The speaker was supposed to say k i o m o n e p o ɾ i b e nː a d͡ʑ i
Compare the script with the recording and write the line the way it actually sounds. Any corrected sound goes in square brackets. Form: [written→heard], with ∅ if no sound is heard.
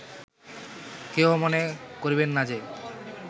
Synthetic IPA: k [i→e] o m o n e [p→k] o ɾ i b e nː a d͡ʑ [i→e]